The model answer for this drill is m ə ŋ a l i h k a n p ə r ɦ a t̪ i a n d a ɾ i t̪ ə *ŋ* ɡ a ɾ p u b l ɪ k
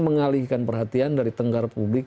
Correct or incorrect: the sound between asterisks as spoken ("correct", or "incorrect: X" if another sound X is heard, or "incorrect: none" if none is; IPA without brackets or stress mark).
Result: correct